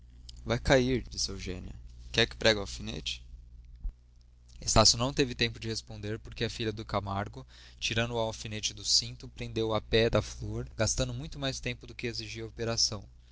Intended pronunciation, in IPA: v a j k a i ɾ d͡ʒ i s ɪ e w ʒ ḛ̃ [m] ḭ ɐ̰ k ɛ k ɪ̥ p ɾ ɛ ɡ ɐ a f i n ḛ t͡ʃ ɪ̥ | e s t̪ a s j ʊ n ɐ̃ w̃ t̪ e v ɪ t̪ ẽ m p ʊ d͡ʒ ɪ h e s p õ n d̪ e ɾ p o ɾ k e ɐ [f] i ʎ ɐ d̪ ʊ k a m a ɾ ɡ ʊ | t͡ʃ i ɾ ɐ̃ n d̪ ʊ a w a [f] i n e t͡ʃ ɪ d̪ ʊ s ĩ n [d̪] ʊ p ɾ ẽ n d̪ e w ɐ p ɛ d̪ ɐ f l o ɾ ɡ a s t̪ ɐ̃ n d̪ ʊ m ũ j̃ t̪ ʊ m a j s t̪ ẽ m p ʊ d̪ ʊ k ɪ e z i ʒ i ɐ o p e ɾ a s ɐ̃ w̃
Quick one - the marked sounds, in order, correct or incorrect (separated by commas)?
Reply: incorrect, correct, correct, incorrect